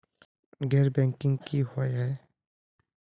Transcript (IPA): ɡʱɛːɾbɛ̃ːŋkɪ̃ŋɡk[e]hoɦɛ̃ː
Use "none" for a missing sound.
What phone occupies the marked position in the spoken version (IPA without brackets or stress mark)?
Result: i